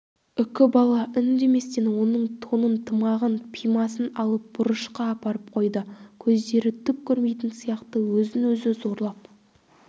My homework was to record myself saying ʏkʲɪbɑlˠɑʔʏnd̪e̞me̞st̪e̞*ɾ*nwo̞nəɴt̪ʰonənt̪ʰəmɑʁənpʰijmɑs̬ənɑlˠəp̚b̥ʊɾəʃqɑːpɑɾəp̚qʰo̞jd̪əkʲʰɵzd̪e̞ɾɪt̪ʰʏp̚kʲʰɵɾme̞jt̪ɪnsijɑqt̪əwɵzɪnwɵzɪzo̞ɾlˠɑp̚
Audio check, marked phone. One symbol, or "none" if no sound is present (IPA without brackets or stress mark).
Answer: none